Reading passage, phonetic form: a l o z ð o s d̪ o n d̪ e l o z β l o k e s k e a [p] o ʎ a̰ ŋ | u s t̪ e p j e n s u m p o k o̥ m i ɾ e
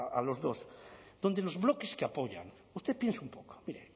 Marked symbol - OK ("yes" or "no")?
yes